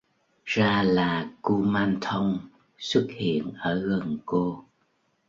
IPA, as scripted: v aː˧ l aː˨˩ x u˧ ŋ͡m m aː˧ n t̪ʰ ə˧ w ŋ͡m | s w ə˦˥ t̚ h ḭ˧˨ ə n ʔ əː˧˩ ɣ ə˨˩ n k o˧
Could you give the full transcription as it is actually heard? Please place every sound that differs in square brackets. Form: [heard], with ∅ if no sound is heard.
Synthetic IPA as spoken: [z] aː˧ l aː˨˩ [k] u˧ [∅] m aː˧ n t̪ʰ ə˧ w ŋ͡m | s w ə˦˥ t̚ h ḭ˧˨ ə n ʔ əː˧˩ ɣ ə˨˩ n k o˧